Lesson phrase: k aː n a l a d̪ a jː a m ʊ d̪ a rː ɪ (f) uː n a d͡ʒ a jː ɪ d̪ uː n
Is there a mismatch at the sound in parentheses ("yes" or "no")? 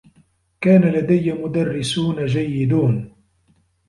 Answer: yes